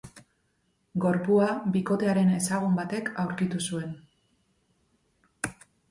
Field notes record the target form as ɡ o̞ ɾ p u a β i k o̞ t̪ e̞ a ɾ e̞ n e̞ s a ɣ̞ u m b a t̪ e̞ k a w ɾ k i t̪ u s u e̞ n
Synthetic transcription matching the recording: ɡ o̞ ɾ p u a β i k o̞ t̪ e̞ a ɾ e̞ n e̞ s a ɣ̞ u m b a t̪ e̞ k a w ɾ k i t̪ u s u e̞ n

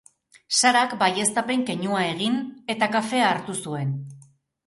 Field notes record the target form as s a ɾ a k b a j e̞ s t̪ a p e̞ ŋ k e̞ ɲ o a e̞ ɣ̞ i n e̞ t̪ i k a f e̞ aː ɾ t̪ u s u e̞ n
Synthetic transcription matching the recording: s a ɾ a k b a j e̞ s t̪ a p e̞ ŋ k e̞ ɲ u a e̞ ɣ̞ i n e̞ t̪ a k a f e̞ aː ɾ t̪ u s u e̞ n

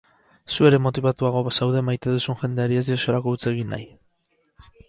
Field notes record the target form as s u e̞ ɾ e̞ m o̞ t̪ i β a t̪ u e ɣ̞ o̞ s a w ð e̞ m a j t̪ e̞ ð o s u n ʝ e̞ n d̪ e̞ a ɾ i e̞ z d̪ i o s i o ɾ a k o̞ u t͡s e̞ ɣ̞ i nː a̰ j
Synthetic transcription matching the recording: s u e̞ ɾ e̞ m o̞ t̪ i β a t̪ u a ɣ̞ o̞ s a w ð e̞ m a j t̪ e̞ ð u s u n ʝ e̞ n d̪ e̞ a ɾ i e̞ z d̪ i o s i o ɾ a k o̞ u t͡s e̞ ɣ̞ i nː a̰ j

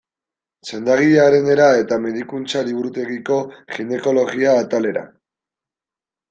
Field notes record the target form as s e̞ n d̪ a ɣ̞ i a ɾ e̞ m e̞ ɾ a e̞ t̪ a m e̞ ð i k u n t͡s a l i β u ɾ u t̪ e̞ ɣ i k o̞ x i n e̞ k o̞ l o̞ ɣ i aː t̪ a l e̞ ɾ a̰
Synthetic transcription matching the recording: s e̞ n d̪ a ɣ̞ i a ɾ e̞ n e̞ ɾ a e̞ t̪ a m e̞ ð i k u n t͡s a l i β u ɾ u t̪ e̞ ɣ i k o̞ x i n e̞ k o̞ l o̞ ɣ i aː t̪ a l e̞ ɾ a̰

